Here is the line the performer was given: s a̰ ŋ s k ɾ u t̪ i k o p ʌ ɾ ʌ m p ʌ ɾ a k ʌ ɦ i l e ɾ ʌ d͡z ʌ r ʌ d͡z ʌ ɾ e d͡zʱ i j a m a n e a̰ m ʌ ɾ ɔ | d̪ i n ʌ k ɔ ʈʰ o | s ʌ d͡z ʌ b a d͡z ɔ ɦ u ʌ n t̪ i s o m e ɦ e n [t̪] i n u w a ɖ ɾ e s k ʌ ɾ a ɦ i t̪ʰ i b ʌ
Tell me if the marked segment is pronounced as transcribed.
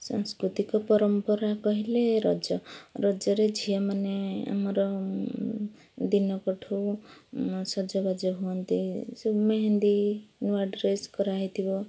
no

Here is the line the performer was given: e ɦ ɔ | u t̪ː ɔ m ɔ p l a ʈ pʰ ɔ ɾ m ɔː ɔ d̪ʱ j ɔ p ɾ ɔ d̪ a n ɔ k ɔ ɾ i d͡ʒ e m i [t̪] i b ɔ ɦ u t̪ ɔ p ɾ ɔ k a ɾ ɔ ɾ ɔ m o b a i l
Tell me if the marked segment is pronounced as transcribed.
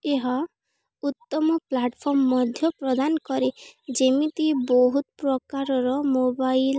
yes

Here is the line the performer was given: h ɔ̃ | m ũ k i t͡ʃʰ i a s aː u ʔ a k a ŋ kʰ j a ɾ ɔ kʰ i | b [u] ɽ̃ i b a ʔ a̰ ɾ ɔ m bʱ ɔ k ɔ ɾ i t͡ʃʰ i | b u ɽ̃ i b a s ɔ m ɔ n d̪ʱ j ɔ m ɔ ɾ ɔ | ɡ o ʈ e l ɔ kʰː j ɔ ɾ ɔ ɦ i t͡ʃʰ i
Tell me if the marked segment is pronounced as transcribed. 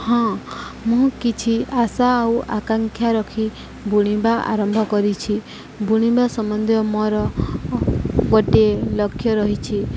yes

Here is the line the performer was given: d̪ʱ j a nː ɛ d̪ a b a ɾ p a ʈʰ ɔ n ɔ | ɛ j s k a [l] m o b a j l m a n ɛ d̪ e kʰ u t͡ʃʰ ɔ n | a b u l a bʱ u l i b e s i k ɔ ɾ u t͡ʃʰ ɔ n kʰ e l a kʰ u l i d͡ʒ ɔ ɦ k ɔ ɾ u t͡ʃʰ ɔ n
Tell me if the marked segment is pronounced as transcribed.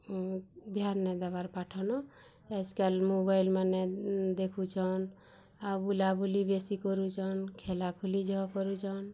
yes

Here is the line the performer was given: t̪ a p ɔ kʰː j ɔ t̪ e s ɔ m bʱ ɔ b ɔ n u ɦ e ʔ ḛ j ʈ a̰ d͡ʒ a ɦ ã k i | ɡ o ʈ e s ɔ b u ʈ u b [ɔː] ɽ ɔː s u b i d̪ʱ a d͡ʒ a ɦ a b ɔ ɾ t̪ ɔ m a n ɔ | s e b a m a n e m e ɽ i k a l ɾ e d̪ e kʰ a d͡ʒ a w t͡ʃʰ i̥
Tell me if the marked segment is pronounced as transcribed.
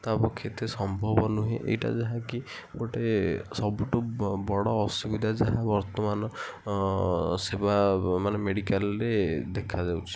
no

